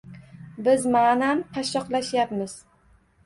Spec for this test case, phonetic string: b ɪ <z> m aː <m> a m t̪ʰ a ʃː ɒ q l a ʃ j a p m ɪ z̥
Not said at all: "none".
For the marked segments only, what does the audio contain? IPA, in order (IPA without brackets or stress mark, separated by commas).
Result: z, n